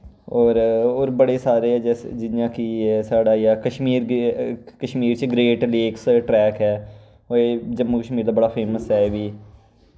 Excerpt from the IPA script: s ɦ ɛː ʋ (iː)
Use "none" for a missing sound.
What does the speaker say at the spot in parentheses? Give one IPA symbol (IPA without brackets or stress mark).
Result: iː